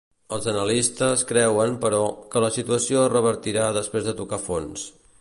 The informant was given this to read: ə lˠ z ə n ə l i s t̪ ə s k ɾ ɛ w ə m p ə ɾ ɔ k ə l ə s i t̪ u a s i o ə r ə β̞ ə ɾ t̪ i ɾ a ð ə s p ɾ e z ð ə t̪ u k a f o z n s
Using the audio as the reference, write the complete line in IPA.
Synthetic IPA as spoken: ə lˠ z ə n ə l i s t̪ ə s k ɾ ɛ w ə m p ə ɾ ɔ k ə l ə s i t̪ u ə s i o ə r ə β̞ ə ɾ t̪ i ɾ a ð ə s p ɾ e z ð ə t̪ u k a f o n s